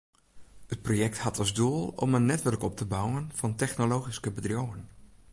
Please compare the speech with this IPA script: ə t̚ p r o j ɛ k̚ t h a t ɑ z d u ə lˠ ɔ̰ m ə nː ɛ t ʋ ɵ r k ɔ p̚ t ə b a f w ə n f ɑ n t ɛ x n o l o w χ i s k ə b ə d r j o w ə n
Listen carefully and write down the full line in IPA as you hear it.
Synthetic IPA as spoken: ə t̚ p r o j ɛ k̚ t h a t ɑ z d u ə lˠ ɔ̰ m ə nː ɛ t ʋ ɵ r k ɔ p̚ t ə b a w ə n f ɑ n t ɛ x n o l o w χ i s k ə b ə d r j o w ə n